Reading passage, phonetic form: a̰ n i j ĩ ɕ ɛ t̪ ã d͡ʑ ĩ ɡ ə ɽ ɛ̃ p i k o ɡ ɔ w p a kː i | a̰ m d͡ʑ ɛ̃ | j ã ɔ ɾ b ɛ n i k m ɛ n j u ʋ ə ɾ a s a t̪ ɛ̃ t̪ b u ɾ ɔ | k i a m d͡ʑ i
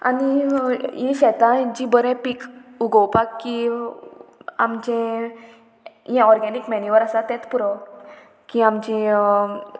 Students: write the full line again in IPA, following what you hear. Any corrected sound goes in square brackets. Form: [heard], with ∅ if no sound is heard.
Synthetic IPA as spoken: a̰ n i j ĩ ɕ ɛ t̪ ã d͡ʑ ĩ [b] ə [ɾ] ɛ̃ p i k [u] ɡ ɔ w p a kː i | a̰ m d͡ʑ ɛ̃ | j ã ɔ ɾ [ɡ] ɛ n i k m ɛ n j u ʋ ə ɾ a s a t̪ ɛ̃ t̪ [p] u ɾ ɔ | k i a m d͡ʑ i